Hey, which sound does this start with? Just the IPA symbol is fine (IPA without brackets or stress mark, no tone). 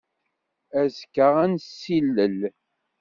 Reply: æ